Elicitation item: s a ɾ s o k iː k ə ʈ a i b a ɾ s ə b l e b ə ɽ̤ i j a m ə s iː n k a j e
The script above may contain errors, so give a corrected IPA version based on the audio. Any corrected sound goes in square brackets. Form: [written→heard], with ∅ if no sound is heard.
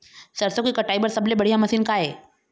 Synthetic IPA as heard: s [a→ə] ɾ s o k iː k ə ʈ a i b [a→ə] ɾ s ə b l e b ə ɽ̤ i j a m ə s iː n k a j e